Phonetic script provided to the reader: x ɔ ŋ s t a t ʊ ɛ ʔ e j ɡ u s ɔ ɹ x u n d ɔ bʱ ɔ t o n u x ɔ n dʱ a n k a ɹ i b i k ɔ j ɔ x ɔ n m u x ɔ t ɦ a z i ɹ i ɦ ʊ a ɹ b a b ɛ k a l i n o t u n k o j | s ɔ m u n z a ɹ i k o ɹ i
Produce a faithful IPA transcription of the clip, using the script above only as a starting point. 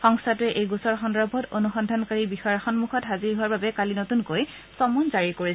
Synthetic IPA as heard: x ɔ ŋ s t a t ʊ ɛ ʔ e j ɡ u s ɔ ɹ x ɔ n d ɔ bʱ ɔ t o n u x ɔ n dʱ a n k a ɹ i b i x ɔ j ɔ x ɔ n m u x ɔ t ɦ a z i ɹ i ɦ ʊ a ɹ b a b ɛ k a l i n o t u n k o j | s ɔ m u n z a ɹ i k o ɹ i